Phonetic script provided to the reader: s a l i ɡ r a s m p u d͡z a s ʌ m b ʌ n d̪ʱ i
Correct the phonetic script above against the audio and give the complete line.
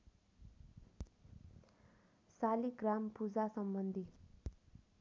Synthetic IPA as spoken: s a l i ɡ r a m p u d͡z a s ʌ m b ʌ n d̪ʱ i